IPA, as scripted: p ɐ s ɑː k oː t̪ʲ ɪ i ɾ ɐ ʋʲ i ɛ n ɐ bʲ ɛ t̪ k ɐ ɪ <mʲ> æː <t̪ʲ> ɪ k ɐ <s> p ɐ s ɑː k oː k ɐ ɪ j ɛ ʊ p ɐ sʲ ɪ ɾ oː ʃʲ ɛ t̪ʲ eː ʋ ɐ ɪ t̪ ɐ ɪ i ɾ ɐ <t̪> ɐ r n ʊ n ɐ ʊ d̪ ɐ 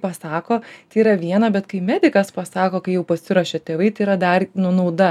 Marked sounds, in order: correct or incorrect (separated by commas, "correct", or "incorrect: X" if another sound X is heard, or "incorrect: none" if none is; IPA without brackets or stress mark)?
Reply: correct, incorrect: d̪ʲ, correct, incorrect: d̪